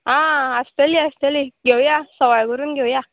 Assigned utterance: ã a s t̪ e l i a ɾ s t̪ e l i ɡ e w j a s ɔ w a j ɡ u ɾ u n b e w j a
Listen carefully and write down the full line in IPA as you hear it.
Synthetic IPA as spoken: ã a s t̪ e l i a s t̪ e l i ɡ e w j a s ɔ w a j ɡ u ɾ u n ɡ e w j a